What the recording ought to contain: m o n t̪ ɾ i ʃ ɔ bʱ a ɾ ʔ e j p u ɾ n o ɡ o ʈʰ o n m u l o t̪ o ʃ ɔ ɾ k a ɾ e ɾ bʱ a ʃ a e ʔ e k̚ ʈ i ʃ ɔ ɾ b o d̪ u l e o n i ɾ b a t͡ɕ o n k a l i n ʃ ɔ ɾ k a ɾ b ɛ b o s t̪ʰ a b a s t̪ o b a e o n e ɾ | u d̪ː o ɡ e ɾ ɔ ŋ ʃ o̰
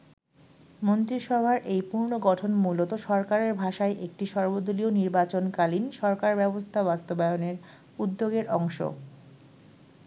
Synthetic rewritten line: m o n t̪ ɾ i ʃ ɔ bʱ a ɾ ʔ e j p u ɾ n o ɡ ɔ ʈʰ o n m u l o t̪ o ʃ ɔ ɾ k a ɾ e ɾ bʱ a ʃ a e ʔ e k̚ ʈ i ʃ ɔ ɾ b o d̪ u l i o n i ɾ b a t͡ɕ o n k a l i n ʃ ɔ ɾ k a ɾ b ɛ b o s t̪ʰ a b a s t̪ o b a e o n e ɾ | u d̪ː o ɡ e ɾ ɔ ŋ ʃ o̰

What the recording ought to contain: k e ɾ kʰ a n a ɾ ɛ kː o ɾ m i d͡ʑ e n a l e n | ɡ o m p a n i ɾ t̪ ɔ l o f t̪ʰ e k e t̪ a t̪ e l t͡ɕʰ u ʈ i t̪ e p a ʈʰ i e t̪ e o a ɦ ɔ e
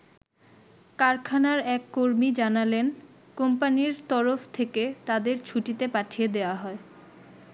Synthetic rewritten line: k a ɾ kʰ a n a ɾ ɛ kː o ɾ m i d͡ʑ a n a l e n | k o m p a n i ɾ t̪ ɔ ɾ o f t̪ʰ e k e t̪ a d̪ e ɾ t͡ɕʰ u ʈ i t̪ e p a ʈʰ i e d̪ e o a ɦ ɔ e

